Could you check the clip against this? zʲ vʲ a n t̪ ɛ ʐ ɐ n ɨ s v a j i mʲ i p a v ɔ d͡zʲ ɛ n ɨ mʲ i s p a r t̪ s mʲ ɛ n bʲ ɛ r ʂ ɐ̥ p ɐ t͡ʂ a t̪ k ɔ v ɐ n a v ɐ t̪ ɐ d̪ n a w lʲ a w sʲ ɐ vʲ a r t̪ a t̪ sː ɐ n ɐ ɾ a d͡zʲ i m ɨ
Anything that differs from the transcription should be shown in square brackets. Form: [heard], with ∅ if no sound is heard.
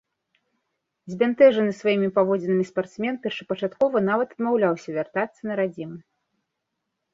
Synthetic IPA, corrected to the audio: zʲ [bʲ] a n t̪ ɛ ʐ ɐ n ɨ s v a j i mʲ i p a v ɔ d͡zʲ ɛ n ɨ mʲ i s p a r t̪ s mʲ ɛ n [pʲ] ɛ r ʂ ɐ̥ p ɐ t͡ʂ a t̪ k ɔ v ɐ n a v ɐ t̪ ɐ d̪ [m] a w lʲ a w sʲ ɐ vʲ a r t̪ a t̪ sː ɐ n ɐ ɾ a d͡zʲ i m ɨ